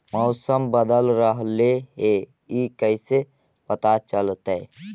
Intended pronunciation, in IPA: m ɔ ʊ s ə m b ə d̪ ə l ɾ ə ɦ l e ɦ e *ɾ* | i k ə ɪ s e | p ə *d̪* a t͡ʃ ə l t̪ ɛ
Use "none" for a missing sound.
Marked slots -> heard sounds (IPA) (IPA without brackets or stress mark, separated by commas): none, t̪